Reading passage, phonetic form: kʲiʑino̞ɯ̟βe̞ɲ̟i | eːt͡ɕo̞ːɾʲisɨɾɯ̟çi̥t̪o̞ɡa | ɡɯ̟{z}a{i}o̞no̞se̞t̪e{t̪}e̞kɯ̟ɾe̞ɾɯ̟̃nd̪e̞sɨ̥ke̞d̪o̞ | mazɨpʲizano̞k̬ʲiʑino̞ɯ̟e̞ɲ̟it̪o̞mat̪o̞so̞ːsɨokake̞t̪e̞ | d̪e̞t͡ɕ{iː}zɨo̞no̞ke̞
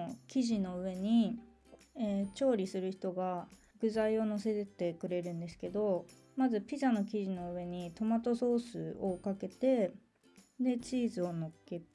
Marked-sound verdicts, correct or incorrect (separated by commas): correct, correct, correct, correct